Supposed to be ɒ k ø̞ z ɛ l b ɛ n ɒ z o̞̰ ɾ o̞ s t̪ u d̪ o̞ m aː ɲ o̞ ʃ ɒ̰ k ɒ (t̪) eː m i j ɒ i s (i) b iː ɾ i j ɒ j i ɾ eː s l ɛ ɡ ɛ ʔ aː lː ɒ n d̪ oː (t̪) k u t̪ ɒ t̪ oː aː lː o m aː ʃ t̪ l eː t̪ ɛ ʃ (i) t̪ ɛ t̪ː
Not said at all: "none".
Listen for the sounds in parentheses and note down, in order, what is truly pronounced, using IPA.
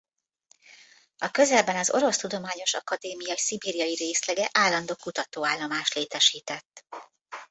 d̪, i, none, iː

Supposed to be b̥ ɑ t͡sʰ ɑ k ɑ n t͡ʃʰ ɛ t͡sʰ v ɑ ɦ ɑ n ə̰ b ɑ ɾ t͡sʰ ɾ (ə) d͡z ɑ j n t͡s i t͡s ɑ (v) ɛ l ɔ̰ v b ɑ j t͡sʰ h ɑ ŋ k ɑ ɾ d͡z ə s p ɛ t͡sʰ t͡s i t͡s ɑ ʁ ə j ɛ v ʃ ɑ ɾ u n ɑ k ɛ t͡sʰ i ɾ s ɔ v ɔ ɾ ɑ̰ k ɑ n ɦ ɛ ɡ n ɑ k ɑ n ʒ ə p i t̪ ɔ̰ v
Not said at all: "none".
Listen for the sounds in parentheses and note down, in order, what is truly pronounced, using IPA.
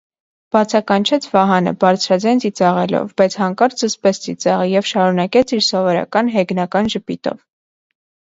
ɑ, ʁ

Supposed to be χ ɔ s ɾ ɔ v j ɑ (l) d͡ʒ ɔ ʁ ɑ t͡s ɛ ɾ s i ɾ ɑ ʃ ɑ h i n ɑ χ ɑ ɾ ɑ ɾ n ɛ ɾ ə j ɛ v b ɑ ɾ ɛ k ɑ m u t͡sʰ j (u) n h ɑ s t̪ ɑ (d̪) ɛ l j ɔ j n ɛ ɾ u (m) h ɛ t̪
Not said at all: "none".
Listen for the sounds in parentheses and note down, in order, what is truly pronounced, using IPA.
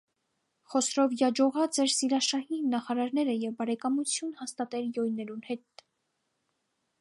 none, u, t̪, n

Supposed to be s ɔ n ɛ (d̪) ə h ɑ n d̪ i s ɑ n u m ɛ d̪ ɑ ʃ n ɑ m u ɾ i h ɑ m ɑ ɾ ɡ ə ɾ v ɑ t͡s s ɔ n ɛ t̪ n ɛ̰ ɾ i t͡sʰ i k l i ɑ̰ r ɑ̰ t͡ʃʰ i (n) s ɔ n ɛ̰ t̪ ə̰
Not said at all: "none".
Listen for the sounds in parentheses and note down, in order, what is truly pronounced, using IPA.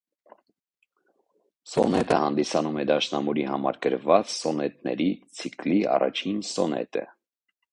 t̪, n

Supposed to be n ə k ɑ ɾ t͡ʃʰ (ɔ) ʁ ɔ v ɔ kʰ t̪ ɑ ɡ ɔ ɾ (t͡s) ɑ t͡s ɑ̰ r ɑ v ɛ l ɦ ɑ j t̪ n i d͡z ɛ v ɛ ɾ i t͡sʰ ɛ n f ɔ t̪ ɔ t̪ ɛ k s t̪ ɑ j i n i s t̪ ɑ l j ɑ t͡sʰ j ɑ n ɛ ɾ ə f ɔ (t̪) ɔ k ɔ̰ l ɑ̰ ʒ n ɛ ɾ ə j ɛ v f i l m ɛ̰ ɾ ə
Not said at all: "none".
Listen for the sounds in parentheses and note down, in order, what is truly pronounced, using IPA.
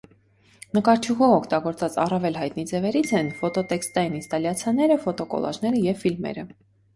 u, t͡s, t̪

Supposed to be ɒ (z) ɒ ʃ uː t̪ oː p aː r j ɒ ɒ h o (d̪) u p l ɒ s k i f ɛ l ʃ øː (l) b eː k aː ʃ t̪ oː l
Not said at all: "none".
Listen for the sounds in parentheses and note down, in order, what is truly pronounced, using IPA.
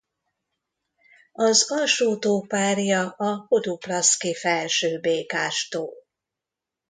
z, d̪, none

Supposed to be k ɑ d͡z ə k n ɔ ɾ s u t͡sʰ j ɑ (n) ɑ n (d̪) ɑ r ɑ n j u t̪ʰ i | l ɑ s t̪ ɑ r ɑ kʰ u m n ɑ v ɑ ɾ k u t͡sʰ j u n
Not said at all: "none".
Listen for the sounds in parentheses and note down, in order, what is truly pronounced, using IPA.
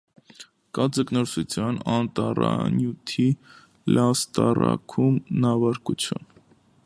n, t̪

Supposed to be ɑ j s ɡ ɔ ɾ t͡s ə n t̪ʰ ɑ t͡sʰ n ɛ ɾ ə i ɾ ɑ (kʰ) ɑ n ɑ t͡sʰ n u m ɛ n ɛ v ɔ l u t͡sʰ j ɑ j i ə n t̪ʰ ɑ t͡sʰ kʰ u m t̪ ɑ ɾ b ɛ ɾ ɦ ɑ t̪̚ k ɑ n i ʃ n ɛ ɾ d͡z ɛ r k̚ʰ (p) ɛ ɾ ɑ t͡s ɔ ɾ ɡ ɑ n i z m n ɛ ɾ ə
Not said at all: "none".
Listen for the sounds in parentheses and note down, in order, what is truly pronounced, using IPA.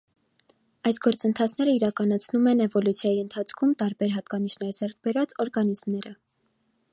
k, b

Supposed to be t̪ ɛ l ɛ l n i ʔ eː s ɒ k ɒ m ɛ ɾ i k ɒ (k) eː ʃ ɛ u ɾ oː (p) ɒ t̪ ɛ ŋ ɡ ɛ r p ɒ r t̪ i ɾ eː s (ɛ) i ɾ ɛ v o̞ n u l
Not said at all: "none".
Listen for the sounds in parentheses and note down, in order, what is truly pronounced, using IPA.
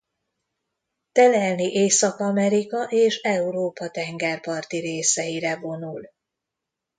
ʔ, p, ɛ

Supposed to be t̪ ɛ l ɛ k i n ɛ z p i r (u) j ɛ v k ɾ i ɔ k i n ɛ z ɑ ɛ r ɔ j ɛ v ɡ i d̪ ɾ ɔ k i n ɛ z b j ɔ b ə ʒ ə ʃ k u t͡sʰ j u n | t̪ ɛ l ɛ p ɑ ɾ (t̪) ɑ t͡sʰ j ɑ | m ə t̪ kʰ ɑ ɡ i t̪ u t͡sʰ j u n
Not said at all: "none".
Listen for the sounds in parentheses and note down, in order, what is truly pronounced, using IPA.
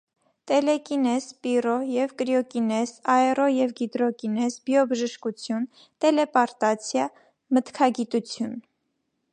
ɔ, t̪

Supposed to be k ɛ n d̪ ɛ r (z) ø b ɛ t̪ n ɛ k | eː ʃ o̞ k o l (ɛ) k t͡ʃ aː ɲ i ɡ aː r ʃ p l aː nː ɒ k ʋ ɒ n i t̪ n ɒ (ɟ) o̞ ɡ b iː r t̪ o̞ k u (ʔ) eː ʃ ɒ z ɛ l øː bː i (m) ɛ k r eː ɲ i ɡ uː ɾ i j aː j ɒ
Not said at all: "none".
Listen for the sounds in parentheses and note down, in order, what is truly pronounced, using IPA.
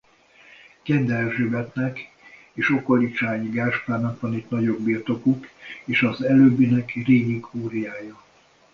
ʒ, i, ɟ, k, n

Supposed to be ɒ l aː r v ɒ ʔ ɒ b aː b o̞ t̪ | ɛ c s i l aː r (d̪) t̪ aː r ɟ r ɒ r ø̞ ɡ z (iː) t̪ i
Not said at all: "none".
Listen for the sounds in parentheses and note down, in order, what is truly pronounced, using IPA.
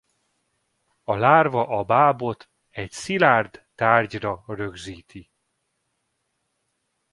d̪, iː

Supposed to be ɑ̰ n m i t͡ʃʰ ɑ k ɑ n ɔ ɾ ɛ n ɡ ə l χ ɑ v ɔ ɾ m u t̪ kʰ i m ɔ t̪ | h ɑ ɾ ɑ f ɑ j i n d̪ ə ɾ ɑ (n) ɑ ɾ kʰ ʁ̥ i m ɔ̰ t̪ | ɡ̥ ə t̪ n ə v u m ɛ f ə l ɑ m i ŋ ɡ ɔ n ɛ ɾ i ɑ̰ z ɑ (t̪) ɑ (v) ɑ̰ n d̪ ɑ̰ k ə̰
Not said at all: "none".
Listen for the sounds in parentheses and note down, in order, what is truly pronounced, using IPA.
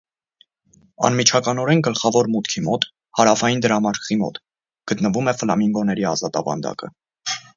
m, t̪, v

